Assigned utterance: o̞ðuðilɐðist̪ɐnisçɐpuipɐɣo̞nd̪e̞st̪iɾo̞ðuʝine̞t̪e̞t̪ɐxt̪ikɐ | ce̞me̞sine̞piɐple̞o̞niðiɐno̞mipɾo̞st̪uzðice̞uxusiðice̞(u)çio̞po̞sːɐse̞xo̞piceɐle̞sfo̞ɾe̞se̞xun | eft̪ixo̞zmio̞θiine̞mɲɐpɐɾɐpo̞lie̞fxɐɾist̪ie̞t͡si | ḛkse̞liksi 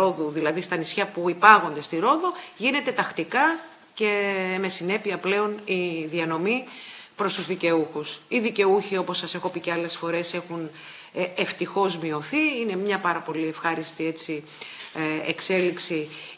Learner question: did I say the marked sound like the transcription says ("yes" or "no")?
yes